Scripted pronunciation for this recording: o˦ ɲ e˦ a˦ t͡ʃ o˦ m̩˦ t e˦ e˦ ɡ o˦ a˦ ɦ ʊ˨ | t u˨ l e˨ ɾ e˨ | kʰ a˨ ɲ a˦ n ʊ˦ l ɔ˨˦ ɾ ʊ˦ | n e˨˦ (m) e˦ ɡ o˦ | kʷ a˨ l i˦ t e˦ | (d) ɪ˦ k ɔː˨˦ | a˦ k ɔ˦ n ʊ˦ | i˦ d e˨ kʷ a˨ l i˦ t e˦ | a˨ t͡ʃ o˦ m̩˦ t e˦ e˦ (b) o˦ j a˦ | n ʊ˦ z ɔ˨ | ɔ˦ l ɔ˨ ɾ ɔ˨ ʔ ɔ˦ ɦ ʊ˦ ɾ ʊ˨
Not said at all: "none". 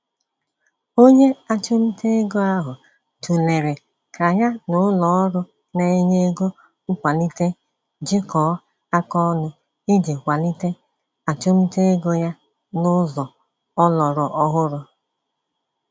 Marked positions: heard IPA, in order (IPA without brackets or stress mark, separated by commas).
ɲ, d͡ʒ, ɡ